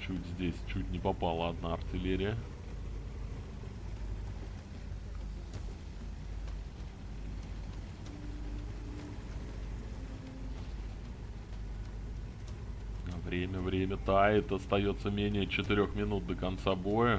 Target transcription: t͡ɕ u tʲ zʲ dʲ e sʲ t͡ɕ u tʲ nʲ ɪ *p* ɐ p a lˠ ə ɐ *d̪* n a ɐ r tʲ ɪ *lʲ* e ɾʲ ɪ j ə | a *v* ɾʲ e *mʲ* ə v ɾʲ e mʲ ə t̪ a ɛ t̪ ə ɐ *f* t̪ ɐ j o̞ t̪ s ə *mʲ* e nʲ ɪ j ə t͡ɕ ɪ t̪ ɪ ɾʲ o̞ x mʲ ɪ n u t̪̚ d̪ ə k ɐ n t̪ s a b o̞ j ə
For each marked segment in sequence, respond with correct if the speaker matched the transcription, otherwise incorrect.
correct, correct, correct, correct, correct, incorrect: s, correct

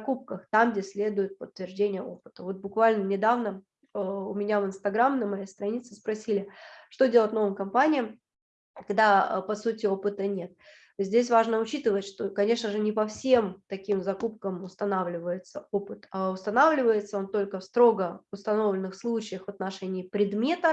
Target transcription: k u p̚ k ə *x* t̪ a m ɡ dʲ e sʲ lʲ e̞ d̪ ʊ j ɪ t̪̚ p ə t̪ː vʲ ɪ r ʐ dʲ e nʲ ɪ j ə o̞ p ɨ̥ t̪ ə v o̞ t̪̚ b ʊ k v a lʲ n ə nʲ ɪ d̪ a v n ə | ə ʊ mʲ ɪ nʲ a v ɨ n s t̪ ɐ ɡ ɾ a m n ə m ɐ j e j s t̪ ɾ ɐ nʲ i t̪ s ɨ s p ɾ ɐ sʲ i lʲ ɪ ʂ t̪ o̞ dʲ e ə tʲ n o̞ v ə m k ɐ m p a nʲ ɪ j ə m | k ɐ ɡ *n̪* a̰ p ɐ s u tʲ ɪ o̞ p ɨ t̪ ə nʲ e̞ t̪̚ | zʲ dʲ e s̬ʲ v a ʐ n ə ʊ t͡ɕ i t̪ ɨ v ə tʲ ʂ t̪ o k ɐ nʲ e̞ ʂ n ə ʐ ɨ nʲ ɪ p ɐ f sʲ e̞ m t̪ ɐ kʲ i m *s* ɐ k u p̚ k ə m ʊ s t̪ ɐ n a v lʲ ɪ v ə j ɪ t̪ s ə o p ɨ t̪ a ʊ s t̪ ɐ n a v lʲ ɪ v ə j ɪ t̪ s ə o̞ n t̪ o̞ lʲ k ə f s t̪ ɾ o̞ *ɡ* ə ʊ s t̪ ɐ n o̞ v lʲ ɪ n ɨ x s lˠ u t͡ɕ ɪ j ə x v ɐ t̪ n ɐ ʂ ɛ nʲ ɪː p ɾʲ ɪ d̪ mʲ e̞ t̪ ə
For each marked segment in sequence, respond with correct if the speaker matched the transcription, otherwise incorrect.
correct, incorrect: d̪, incorrect: z, correct

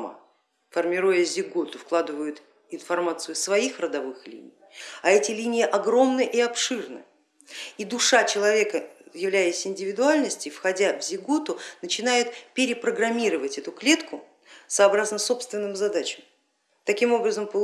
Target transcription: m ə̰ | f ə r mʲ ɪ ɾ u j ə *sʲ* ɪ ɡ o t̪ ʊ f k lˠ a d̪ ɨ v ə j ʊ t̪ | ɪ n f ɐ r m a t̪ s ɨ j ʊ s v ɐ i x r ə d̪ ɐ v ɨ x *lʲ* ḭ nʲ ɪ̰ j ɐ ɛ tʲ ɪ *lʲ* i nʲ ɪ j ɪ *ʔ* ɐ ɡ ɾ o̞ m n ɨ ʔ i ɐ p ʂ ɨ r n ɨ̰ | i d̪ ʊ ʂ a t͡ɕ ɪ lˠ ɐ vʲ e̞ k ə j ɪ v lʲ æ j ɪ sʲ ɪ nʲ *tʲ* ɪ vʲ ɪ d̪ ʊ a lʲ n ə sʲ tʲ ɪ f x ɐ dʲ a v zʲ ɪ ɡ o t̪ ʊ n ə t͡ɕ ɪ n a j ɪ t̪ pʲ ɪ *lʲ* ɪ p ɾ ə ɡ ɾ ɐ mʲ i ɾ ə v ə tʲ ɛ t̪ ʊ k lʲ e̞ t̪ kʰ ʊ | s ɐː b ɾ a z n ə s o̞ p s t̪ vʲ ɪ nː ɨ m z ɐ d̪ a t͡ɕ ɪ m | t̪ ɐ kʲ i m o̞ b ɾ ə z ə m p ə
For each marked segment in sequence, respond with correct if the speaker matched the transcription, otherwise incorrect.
incorrect: zʲ, correct, correct, correct, incorrect: dʲ, incorrect: ɾʲ

